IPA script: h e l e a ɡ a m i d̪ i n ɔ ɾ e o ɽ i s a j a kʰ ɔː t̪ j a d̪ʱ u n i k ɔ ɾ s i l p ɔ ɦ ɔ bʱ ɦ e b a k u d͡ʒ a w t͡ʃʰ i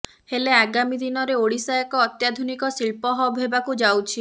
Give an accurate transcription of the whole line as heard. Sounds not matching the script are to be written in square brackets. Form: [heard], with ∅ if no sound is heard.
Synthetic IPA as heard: h e l e a ɡ a m i d̪ i n ɔ ɾ e o ɽ i s a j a [k] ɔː t̪ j a d̪ʱ u n i k ɔ [∅] s i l p ɔ ɦ ɔ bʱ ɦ e b a k u d͡ʒ a w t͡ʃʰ i

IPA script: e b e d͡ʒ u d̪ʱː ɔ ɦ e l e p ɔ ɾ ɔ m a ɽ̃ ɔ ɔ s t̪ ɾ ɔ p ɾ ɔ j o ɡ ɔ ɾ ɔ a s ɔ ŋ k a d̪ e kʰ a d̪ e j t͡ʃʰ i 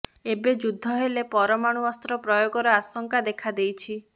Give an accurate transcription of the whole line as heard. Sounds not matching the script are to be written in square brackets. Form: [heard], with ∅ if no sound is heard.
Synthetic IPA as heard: e b e d͡ʒ u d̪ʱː ɔ ɦ e l e p ɔ ɾ ɔ m a ɽ̃ [u] ɔ s t̪ ɾ ɔ p ɾ ɔ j o ɡ ɔ ɾ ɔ a s ɔ ŋ k a d̪ e kʰ a d̪ e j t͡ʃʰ i

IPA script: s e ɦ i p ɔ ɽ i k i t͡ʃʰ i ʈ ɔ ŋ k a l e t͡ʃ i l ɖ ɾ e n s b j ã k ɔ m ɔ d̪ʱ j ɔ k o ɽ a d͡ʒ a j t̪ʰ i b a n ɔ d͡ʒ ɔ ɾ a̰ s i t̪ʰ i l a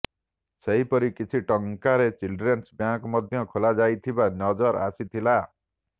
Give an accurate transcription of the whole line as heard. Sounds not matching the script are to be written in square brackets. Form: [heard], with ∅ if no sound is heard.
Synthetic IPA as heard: s e ɦ i p ɔ [ɾ] i k i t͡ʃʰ i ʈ ɔ ŋ k a [ɾ] e t͡ʃ i l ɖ ɾ e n s b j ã k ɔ m ɔ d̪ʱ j ɔ [kʰ] o [l] a d͡ʒ a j t̪ʰ i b a n ɔ d͡ʒ ɔ ɾ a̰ s i t̪ʰ i l a

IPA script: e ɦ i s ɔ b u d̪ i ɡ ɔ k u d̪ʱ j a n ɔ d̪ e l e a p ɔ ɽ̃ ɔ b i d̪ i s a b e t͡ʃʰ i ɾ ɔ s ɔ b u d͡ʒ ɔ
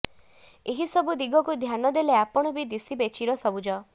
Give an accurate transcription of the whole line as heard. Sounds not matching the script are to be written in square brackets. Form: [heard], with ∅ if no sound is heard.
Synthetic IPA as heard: e ɦ i s ɔ b u d̪ i ɡ ɔ k u d̪ʱ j a n ɔ d̪ e l e a p ɔ ɽ̃ ɔ b i d̪ i s [i] b e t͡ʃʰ i ɾ ɔ s ɔ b u d͡ʒ ɔ

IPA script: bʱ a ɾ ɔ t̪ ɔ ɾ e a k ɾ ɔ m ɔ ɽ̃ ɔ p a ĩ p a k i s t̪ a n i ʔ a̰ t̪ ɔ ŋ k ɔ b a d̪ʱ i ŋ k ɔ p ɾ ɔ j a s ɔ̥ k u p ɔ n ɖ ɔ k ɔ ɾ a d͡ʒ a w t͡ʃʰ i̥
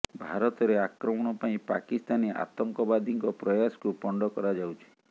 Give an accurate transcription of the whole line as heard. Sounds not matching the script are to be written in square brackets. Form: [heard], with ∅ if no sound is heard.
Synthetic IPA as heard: bʱ a ɾ ɔ t̪ ɔ ɾ e a k ɾ ɔ m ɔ ɽ̃ ɔ p a ĩ p a k i s t̪ a n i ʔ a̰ t̪ ɔ ŋ k ɔ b a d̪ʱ i ŋ k ɔ p ɾ ɔ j a s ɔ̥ k u p ɔ [ɳ] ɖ ɔ k ɔ ɾ a d͡ʒ a w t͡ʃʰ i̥

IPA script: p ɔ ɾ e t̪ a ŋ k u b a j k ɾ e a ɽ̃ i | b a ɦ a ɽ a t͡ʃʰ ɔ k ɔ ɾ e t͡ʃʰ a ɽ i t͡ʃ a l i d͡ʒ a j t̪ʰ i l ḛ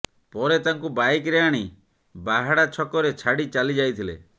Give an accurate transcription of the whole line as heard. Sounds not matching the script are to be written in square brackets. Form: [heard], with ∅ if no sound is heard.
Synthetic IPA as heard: p ɔ ɾ e t̪ a ŋ k u b a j k ɾ e a ɽ̃ i | b a ɦ a ɽ a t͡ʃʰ ɔ k ɔ ɾ e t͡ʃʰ a ɽ i t͡ʃ a l i d͡ʒ a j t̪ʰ i l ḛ

